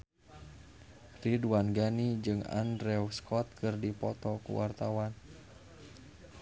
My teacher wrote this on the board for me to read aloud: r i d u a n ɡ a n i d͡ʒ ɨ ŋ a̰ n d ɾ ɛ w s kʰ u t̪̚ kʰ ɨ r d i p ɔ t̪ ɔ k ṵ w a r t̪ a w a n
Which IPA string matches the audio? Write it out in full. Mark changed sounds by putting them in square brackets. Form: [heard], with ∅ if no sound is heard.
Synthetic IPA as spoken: r i d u a n ɡ a n i d͡ʒ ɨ ŋ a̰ n d ɾ ɛ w s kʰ [ɔ] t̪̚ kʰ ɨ r d i p ɔ t̪ ɔ k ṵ w a r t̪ a w a n